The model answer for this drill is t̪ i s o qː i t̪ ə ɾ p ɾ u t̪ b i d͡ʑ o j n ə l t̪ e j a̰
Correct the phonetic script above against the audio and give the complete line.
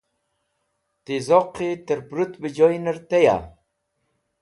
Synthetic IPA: t̪ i z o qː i t̪ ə ɾ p ɾ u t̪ b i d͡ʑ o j n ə ɾ t̪ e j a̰